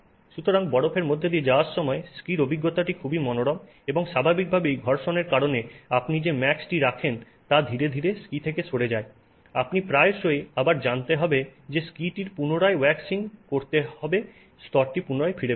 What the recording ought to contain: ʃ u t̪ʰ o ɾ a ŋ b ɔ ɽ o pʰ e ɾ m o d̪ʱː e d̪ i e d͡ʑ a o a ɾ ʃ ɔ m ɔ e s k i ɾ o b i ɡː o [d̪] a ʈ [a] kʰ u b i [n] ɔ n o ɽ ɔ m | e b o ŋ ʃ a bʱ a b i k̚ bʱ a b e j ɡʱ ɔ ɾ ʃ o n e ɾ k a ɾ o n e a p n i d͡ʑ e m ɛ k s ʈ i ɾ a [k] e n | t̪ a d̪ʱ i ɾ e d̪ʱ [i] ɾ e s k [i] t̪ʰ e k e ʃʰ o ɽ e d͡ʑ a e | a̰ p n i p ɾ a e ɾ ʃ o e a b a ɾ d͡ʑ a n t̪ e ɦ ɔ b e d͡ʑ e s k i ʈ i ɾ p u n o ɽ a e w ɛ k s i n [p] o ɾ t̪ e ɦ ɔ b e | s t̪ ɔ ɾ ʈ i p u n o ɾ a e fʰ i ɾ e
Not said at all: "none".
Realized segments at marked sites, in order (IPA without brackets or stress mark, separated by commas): t̪, i, m, kʰ, i, i, k